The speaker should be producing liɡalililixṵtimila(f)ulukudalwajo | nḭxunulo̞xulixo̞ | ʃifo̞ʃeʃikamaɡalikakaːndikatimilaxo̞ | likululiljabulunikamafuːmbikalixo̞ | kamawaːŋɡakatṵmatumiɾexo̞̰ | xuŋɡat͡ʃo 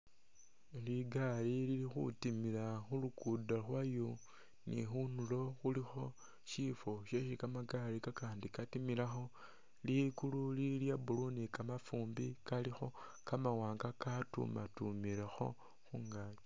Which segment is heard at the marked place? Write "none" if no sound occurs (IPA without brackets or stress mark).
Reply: x